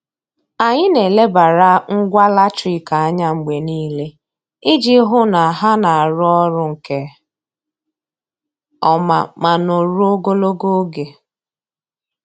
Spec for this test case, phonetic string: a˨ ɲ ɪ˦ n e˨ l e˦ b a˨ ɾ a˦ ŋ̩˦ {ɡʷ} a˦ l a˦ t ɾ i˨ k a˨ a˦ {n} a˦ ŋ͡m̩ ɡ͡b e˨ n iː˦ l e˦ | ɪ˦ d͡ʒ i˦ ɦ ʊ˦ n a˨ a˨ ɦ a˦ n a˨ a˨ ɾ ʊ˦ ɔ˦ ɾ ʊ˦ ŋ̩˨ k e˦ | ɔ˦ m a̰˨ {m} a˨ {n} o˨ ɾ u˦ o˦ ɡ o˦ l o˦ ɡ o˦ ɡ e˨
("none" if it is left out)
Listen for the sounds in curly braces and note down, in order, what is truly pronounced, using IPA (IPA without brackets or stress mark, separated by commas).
ɡʷ, ɲ, m, n